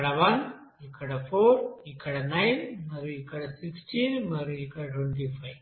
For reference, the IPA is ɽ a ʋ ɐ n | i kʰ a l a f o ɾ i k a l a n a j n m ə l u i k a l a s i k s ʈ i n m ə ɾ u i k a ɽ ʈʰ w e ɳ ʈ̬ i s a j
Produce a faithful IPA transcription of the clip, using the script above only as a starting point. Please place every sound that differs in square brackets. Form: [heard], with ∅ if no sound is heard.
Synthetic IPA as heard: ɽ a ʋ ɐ n | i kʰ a [ɽ] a f o ɾ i k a [ɽ] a n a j n m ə [ɾ] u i k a [ɽ] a s i k s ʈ i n m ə ɾ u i k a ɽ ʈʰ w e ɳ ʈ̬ i [f] a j